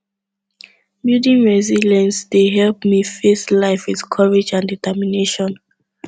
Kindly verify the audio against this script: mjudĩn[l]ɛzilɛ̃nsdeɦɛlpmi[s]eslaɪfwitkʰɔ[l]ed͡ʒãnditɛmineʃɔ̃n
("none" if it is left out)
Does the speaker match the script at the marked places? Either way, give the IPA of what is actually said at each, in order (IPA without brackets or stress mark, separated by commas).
ɹ, f, ɹ